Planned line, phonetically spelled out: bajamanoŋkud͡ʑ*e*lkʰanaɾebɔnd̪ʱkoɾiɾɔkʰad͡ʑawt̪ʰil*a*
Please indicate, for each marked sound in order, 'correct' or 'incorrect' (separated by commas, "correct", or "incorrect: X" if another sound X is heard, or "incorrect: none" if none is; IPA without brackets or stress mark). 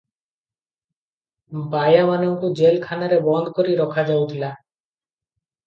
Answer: correct, correct